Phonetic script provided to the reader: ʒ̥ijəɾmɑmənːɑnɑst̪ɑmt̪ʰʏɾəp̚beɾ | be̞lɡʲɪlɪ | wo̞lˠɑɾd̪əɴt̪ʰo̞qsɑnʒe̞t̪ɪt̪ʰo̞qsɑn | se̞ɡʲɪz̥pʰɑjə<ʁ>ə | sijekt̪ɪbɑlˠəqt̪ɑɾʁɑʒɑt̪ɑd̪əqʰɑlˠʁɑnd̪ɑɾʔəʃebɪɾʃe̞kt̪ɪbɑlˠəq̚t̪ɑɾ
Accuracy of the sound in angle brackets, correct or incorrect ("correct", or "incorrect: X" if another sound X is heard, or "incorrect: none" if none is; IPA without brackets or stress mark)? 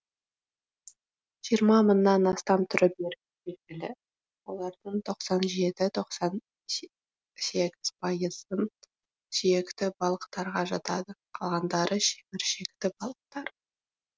incorrect: z